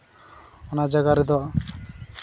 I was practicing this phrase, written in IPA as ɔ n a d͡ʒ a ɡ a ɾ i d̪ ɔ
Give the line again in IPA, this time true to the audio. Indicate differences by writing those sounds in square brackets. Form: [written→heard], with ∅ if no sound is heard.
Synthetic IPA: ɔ n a d͡ʒ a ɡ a ɾ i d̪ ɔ